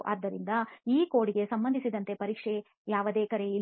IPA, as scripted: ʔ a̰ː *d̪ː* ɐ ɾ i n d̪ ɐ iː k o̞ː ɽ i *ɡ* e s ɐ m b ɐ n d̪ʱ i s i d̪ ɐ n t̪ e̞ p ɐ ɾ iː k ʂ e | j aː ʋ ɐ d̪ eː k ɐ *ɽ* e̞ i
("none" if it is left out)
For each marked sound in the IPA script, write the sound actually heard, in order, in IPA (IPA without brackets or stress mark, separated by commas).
d̪ː, ɡ, ɾ